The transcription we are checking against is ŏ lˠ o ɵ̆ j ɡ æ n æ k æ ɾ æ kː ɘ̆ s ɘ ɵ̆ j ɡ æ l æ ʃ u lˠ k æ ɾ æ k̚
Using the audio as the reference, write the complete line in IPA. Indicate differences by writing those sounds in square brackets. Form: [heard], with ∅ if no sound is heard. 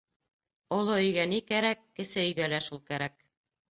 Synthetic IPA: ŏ lˠ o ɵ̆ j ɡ æ n [i] k æ ɾ æ kː ɘ̆ s ɘ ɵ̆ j ɡ æ l æ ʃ u lˠ k æ ɾ æ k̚